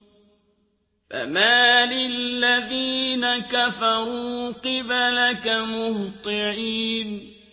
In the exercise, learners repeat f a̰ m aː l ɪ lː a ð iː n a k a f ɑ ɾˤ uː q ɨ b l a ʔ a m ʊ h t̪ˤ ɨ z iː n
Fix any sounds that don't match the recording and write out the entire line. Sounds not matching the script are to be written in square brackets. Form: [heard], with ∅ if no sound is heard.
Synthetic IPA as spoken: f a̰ m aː l ɪ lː a ð iː n a k a f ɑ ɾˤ uː q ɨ b l a [k] a m ʊ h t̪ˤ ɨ [ʕ] iː n